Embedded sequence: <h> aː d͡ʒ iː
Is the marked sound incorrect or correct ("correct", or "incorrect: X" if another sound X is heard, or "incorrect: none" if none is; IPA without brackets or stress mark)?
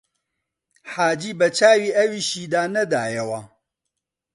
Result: incorrect: ħ